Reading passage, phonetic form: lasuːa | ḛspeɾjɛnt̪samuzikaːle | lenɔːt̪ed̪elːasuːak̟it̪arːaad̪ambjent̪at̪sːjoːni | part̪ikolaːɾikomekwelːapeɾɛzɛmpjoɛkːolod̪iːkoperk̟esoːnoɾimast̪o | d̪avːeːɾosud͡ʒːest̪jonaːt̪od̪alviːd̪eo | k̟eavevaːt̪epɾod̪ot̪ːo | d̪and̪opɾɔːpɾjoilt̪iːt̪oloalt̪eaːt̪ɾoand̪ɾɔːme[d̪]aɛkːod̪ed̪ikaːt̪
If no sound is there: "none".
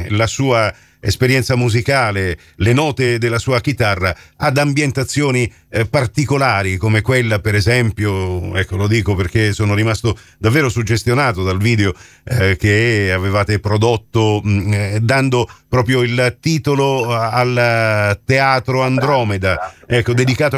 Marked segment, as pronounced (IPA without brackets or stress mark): d̪